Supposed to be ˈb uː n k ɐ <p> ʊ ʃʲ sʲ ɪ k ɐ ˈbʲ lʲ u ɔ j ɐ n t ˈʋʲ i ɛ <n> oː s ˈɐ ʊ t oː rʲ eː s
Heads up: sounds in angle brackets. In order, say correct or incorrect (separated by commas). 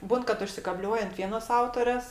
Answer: incorrect, correct